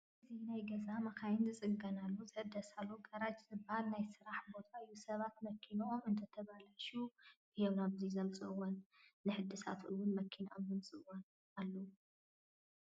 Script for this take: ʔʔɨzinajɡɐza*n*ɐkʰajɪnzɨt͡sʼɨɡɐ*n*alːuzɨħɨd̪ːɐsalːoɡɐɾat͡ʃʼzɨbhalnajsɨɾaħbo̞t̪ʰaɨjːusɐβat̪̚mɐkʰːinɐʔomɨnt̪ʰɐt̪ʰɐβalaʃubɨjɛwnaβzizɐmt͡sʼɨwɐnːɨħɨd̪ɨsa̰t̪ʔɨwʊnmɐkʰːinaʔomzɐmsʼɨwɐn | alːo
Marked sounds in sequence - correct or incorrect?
incorrect: m, correct

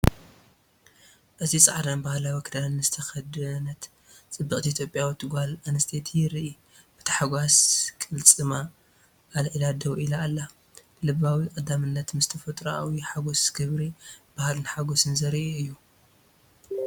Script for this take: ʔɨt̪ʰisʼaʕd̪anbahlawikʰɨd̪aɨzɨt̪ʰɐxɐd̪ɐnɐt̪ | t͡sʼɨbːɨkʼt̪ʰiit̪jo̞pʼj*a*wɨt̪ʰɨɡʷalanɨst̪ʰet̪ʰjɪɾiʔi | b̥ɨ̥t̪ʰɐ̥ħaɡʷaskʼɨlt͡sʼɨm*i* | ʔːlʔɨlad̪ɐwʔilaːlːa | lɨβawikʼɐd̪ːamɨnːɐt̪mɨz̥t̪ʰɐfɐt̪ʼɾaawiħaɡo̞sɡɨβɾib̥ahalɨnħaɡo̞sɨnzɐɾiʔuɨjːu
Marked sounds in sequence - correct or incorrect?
correct, incorrect: a

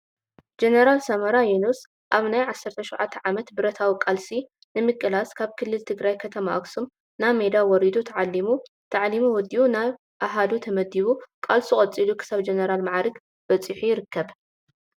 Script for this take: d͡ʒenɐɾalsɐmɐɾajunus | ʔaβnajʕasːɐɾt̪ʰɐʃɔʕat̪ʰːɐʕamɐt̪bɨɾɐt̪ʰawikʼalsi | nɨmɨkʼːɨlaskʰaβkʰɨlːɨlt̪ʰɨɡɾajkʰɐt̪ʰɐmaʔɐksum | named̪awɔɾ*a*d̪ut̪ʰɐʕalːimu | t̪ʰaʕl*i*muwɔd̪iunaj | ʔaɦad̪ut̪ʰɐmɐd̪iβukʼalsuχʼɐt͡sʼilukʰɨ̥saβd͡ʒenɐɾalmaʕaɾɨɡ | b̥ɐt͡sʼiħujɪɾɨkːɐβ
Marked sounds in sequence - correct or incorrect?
incorrect: i, correct

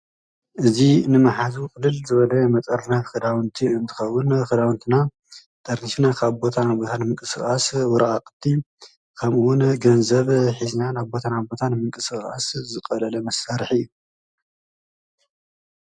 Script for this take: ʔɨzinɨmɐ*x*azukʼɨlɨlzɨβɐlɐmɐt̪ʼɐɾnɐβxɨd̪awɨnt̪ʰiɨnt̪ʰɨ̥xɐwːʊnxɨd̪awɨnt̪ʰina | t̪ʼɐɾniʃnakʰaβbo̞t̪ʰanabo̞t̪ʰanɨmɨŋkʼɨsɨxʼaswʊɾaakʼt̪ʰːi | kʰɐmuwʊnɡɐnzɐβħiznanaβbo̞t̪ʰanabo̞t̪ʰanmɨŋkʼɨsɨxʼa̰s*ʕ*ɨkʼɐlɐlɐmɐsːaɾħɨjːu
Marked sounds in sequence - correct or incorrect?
incorrect: ħ, incorrect: z

